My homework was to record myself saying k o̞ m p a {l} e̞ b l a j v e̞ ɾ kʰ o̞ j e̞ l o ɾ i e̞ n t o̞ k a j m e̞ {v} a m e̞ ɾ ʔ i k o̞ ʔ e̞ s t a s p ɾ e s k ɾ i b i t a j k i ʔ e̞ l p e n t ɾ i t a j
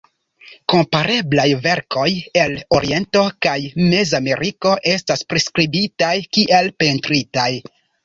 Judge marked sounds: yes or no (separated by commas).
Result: no, no